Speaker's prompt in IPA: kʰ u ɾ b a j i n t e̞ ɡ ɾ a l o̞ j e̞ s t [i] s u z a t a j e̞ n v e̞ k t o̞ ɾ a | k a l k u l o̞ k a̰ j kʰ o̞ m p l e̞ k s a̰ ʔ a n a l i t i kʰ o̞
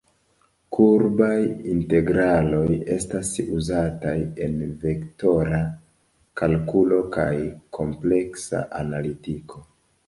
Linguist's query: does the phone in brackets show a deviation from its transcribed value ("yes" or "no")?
yes